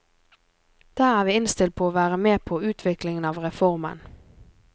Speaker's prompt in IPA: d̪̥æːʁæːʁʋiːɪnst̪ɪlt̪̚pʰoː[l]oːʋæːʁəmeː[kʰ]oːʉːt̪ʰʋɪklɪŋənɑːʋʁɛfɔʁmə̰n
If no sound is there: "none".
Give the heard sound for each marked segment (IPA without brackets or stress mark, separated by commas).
none, pʰ